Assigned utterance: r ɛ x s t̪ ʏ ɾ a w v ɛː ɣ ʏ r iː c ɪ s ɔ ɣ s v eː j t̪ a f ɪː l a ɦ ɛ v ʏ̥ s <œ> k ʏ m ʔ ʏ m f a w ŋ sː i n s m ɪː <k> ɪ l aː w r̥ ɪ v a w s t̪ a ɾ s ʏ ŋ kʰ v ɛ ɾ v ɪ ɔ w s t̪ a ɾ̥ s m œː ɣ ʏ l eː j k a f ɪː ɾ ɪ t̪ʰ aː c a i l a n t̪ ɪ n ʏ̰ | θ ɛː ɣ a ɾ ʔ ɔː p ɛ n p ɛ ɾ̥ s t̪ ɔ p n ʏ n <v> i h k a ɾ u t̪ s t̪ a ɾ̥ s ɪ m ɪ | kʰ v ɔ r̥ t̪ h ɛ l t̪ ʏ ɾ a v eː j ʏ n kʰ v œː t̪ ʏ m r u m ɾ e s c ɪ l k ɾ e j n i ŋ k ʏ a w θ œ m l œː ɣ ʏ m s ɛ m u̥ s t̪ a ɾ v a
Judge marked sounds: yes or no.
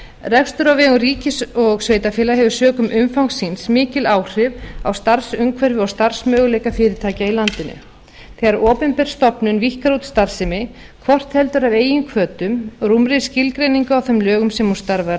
no, no, yes

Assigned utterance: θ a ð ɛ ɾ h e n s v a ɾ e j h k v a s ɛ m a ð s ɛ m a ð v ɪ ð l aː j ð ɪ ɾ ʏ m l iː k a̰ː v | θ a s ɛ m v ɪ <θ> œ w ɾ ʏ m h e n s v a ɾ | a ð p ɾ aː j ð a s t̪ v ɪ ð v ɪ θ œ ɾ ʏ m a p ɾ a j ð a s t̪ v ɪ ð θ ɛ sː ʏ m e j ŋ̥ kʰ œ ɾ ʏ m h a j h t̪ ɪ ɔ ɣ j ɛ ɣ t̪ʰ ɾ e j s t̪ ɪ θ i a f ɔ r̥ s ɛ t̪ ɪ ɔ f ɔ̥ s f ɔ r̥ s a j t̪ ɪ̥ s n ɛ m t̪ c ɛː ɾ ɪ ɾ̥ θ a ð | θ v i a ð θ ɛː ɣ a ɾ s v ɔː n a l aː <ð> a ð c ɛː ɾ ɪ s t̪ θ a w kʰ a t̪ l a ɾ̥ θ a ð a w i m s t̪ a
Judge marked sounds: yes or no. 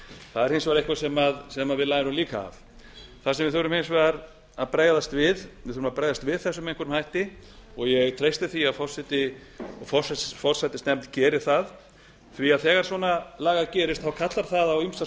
yes, no

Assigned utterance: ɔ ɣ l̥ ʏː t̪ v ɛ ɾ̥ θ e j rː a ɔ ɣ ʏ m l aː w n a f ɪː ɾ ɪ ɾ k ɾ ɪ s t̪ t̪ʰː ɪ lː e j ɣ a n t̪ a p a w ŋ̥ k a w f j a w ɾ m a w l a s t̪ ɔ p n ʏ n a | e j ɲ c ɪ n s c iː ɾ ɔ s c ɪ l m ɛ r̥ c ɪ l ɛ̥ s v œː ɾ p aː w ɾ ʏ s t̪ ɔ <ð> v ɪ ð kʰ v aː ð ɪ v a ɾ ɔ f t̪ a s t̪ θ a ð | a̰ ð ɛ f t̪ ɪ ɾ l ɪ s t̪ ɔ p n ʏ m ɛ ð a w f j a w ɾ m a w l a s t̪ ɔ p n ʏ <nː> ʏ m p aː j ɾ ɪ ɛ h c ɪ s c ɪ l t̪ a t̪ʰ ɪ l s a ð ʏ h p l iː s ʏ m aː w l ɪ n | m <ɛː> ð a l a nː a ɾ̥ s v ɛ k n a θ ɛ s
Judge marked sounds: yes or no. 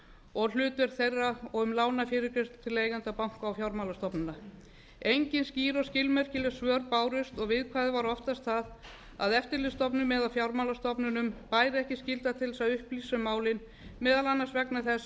no, no, yes

